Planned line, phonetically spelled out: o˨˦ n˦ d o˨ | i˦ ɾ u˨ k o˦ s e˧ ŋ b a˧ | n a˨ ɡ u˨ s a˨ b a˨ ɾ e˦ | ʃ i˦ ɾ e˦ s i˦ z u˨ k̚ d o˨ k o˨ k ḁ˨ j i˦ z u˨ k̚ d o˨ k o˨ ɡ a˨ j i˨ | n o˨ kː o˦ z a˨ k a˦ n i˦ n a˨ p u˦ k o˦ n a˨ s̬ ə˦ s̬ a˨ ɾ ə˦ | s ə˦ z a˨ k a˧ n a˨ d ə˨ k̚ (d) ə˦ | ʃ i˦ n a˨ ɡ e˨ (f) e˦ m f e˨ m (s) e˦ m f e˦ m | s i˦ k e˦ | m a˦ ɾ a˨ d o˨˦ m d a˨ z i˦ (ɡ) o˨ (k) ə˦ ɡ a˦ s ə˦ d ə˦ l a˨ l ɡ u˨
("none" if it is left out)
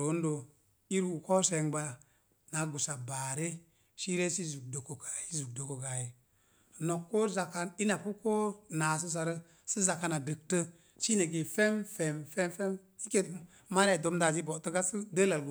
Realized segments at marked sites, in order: t, f, f, b, t

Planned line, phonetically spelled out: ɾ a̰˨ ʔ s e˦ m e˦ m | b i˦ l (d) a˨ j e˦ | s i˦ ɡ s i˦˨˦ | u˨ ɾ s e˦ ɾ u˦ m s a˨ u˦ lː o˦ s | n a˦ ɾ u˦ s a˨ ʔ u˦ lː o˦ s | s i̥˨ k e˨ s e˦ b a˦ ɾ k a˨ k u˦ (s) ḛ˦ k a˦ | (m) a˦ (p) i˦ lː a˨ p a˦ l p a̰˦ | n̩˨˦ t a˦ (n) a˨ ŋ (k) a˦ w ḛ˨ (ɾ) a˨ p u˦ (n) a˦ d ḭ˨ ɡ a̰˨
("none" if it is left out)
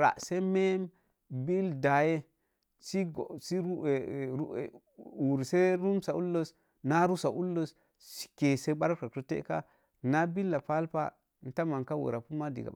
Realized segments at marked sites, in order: d, t, n, b, m, k, ɾ, m

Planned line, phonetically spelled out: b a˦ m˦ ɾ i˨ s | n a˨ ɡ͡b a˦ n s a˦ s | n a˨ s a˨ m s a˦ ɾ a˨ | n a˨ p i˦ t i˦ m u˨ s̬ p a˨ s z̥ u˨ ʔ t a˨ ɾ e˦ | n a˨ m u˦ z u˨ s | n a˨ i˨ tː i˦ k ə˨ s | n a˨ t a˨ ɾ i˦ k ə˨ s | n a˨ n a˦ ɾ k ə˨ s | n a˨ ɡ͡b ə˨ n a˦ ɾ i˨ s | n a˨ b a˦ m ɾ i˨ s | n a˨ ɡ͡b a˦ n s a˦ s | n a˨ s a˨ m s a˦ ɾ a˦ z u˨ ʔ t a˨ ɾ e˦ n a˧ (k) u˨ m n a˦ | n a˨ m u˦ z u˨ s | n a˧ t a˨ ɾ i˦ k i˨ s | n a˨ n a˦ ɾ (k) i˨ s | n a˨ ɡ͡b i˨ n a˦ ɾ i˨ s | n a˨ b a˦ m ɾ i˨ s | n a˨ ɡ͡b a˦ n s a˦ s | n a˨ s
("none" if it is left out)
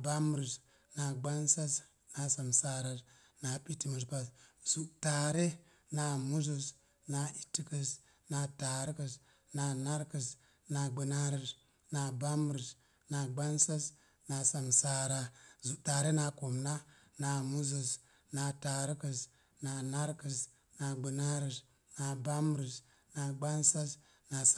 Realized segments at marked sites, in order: k, k

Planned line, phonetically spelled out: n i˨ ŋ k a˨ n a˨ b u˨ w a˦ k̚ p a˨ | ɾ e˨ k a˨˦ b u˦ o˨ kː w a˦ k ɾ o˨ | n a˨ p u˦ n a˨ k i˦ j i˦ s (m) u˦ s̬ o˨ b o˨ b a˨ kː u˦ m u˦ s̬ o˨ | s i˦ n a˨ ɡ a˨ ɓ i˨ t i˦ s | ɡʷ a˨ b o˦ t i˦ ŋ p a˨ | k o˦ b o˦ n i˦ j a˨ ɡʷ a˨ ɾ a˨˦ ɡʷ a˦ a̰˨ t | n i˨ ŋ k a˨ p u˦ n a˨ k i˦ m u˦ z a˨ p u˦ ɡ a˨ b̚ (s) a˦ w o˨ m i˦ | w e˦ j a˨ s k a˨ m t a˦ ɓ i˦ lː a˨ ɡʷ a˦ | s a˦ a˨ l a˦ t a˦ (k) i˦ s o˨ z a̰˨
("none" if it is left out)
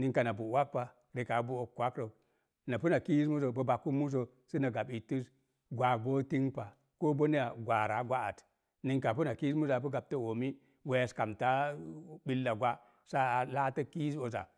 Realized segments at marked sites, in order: m, t, k

